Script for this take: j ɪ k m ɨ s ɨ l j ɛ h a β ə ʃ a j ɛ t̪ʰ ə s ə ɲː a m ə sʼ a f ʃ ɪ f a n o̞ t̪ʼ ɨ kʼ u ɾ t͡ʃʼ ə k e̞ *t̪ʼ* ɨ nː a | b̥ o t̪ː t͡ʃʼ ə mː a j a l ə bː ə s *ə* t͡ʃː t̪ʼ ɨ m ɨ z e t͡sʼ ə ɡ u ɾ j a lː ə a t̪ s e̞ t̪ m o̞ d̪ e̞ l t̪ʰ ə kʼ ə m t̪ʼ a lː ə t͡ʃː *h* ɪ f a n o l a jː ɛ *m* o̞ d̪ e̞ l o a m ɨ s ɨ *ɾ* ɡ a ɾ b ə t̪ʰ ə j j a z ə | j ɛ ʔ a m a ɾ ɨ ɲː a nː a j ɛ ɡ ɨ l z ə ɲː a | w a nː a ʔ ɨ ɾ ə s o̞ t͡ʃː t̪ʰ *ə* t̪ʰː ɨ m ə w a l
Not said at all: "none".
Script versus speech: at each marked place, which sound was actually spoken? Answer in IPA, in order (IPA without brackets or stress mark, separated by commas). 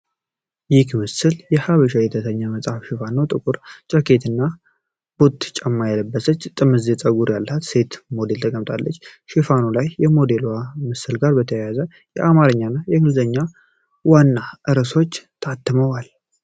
t̪, ə, ʃ, m, l, a